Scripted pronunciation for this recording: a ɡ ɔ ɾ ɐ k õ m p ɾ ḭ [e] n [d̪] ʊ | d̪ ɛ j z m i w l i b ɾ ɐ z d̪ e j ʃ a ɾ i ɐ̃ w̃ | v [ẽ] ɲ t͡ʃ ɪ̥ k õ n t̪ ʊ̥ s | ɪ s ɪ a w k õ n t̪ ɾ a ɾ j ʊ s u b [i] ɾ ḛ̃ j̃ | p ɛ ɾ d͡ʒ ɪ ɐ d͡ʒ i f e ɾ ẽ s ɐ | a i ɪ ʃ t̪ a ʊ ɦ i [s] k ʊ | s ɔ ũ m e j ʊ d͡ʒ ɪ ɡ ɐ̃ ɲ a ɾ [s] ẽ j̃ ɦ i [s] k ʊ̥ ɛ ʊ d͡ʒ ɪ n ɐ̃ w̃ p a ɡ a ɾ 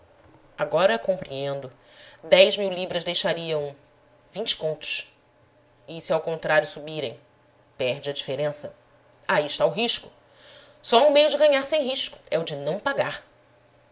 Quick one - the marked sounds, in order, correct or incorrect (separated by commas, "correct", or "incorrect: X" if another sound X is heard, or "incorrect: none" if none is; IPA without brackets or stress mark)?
incorrect: ẽ, correct, incorrect: ĩ, correct, incorrect: ʃ, correct, incorrect: ʃ